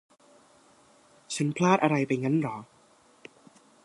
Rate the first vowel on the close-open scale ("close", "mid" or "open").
open